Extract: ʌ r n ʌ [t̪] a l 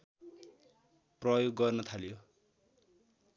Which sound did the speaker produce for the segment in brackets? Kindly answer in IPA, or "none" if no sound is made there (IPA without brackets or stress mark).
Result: t̪ʰ